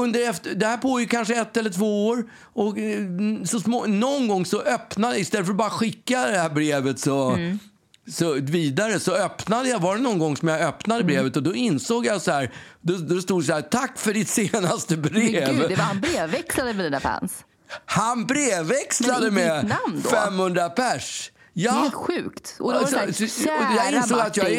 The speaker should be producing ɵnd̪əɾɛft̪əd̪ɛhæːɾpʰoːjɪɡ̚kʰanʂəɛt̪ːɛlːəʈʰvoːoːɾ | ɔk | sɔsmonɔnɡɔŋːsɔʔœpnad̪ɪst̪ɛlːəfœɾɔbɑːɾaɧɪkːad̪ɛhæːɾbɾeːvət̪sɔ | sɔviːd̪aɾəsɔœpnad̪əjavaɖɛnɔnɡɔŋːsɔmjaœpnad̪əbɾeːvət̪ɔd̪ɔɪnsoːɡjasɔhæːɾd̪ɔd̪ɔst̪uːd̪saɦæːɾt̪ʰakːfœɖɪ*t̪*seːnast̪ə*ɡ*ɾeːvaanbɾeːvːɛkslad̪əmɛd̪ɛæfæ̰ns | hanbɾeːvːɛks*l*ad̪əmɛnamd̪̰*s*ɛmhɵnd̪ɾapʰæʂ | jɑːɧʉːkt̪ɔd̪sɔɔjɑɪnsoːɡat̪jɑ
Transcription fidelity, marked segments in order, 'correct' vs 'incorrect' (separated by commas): correct, incorrect, correct, incorrect